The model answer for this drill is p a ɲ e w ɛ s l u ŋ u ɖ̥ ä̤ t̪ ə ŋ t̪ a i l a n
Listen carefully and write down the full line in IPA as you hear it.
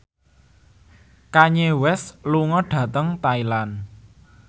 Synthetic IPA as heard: k a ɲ e w ɛ s l u ŋ ɔ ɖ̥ ä̤ t̪ ə ŋ t̪ a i l a n